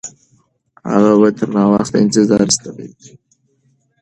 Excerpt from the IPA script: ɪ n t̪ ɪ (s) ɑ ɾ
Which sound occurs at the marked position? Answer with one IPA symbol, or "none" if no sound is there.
z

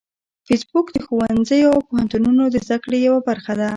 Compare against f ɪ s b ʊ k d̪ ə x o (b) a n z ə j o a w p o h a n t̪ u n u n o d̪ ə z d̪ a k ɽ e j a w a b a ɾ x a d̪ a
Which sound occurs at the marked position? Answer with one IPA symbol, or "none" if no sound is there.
w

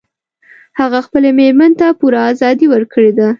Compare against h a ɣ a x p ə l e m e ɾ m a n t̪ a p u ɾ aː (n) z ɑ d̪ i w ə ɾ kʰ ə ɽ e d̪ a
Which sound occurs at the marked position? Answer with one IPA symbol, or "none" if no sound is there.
none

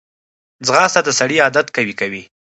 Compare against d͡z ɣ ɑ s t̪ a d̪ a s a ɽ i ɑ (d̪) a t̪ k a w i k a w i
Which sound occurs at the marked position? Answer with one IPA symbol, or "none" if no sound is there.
d̪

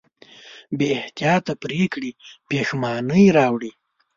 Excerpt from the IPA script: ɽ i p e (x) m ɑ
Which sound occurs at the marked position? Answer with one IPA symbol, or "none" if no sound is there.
x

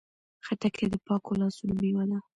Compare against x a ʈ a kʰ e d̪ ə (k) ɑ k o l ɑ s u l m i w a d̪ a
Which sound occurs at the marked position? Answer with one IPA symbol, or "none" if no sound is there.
p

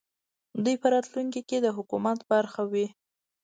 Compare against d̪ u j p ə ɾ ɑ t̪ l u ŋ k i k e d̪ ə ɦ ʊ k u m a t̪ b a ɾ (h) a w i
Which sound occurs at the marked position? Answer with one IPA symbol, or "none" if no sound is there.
x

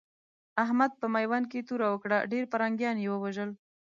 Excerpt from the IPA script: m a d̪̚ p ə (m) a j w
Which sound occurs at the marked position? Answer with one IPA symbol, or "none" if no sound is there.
m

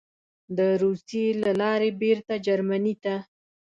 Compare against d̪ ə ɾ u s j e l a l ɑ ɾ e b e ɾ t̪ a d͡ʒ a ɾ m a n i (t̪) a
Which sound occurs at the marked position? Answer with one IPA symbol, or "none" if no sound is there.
t̪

